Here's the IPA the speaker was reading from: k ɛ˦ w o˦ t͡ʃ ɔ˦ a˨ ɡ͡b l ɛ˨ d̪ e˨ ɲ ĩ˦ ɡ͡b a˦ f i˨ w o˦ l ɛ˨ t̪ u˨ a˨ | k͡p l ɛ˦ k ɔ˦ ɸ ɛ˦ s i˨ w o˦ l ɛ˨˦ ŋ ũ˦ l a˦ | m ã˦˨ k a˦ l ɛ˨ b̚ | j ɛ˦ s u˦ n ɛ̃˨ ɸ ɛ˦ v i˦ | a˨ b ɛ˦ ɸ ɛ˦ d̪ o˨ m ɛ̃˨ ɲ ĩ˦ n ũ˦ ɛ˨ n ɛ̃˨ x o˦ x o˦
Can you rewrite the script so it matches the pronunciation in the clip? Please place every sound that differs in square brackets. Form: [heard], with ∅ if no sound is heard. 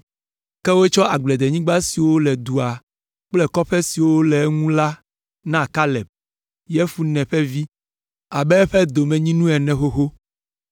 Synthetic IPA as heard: k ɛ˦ w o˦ t͡ʃ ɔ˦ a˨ ɡ͡b l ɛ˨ d̪ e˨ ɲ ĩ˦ ɡ͡b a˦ [s] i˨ w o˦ l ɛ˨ [d̪] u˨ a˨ | k͡p l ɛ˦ k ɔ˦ ɸ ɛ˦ s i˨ w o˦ l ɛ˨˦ ŋ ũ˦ l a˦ | [n] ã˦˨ k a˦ l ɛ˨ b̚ | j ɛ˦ [f] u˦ n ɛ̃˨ ɸ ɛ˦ v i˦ | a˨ b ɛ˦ ɸ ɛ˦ d̪ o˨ m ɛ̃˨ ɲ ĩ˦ n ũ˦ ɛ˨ n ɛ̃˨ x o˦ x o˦

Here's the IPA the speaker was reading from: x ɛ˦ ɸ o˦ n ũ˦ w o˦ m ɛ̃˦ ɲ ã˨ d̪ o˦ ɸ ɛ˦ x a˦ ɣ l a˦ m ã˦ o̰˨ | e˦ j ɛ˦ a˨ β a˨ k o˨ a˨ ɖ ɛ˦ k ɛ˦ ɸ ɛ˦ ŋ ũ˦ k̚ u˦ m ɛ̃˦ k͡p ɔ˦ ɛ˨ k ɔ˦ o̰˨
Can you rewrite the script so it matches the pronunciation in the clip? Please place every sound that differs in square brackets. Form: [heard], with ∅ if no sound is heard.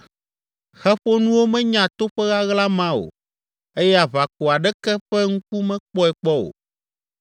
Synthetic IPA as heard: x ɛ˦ ɸ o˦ n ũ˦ w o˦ m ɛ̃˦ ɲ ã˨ [t̪] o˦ ɸ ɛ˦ [ɣ] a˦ ɣ l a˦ m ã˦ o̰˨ | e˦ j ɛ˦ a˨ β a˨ k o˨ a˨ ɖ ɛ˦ k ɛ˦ ɸ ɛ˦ ŋ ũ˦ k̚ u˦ m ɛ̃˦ k͡p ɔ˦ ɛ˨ [k͡p] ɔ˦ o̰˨

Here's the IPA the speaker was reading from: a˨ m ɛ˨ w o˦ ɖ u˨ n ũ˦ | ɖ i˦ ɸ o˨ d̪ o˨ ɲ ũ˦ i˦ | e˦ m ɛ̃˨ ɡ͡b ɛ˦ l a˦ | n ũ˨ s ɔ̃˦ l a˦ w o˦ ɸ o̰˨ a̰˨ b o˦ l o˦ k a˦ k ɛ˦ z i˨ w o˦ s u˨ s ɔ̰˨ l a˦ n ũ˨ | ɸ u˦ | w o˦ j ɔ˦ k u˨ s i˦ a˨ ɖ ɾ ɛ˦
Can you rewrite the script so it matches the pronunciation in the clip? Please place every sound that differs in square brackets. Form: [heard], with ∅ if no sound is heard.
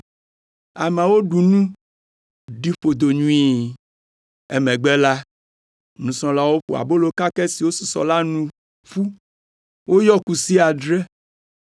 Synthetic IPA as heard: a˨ m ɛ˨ w o˦ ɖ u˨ n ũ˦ | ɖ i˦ ɸ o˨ d̪ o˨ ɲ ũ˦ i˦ | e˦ m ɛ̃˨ ɡ͡b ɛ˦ l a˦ | n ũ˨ s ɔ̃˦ l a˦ w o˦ ɸ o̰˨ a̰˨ b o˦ l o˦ k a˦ k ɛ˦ [s] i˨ w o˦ s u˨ s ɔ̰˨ l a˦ n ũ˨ | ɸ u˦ | w o˦ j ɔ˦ k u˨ s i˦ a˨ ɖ ɾ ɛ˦

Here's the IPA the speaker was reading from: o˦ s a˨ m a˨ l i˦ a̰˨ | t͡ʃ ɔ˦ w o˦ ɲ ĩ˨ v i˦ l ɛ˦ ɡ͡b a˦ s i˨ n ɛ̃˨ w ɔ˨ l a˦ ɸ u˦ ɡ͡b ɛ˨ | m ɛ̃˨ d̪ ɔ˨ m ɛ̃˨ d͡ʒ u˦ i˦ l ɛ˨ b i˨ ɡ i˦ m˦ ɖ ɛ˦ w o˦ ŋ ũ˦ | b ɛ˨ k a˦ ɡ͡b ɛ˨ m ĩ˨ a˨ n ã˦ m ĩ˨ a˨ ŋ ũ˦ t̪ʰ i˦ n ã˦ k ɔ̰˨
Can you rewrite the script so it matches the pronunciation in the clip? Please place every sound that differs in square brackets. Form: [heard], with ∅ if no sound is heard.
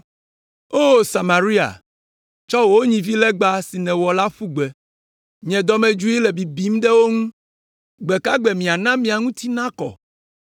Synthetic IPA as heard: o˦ s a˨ m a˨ [ɾ] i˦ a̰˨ | t͡ʃ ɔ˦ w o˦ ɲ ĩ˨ v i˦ l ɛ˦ ɡ͡b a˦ s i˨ n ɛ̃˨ w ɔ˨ l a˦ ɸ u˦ ɡ͡b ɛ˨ | [ɲ] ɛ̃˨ d̪ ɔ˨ m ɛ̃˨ d͡ʒ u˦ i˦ l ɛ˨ b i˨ [b] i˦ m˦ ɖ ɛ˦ w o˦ ŋ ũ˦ | [ɡ͡b] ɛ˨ k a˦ ɡ͡b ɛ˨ m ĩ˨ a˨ n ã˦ m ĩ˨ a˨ ŋ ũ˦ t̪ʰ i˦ n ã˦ k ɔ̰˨

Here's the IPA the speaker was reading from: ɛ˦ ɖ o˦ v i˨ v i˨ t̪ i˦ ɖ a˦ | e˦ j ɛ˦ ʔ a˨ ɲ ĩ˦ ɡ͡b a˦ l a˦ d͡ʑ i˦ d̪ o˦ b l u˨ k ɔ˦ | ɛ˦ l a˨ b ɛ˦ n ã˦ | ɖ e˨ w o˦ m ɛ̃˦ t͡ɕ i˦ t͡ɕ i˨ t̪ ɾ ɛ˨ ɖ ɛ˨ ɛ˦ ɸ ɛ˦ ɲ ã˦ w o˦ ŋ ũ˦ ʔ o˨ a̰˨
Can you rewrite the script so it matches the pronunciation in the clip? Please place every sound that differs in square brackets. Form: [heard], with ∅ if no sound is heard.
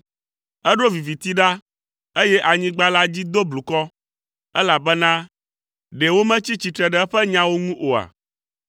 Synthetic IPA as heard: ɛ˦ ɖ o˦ v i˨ v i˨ t̪ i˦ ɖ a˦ | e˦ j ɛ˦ ʔ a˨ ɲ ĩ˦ ɡ͡b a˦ l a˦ d͡ʑ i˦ d̪ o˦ b l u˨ k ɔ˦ | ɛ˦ l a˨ b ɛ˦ n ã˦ | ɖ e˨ w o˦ m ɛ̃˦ t͡ɕ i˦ t͡ɕ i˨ t̪ ɾ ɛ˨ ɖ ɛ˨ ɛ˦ ɸ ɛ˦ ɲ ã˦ w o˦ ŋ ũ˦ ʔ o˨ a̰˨

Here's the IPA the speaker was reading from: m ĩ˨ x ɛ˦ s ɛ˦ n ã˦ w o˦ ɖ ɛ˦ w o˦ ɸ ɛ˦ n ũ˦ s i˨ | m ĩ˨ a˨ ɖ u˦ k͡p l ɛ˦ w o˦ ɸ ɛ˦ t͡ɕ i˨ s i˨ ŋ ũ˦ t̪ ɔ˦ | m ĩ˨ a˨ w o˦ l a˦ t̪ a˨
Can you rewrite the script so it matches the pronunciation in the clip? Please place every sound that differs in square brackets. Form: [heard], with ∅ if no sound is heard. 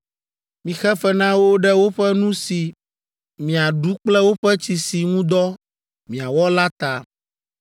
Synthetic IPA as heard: m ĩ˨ x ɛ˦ [f] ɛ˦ n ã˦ w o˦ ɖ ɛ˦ w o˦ ɸ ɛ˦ n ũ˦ s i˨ | m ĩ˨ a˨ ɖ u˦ k͡p l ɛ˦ w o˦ ɸ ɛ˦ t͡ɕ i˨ s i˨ ŋ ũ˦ [d̪] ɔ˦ | m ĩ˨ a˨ w [ɔ˦] l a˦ t̪ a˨

